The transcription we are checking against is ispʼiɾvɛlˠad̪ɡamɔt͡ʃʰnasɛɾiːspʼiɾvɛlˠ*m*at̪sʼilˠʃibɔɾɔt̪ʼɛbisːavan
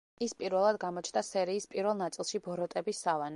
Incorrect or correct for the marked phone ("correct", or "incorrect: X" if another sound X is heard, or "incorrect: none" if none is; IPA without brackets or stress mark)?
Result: incorrect: n